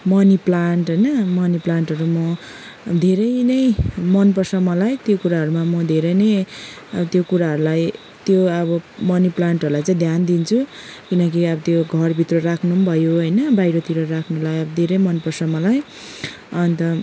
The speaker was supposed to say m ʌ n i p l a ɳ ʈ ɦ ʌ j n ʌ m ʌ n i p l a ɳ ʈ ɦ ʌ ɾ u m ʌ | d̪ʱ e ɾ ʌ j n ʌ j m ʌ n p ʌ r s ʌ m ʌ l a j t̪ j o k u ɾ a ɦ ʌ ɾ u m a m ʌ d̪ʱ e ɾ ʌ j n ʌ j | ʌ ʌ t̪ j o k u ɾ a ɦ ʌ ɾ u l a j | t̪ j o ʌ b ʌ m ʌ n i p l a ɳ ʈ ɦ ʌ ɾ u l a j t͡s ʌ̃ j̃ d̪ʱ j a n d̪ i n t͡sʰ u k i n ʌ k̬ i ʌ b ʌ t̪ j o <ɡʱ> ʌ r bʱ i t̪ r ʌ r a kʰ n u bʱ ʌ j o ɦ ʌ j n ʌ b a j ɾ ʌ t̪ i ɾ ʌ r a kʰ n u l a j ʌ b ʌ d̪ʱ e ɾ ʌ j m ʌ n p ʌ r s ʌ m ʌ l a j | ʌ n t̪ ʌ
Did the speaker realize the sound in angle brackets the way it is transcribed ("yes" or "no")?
yes